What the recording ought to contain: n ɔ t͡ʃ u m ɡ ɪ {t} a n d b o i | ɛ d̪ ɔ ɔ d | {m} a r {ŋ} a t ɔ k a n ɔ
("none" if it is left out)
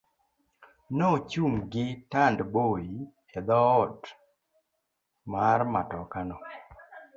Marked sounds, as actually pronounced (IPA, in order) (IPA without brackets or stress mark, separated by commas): t, m, m